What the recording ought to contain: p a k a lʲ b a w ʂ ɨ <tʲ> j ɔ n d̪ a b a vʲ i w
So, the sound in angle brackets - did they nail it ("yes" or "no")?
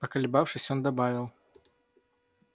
no